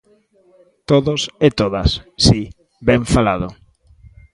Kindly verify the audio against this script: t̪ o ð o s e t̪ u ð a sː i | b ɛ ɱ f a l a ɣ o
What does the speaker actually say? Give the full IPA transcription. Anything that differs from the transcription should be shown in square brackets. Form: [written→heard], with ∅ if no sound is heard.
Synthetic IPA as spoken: t̪ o ð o s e t̪ [u→o] ð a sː i | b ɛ ɱ f a l a [ɣ→ð] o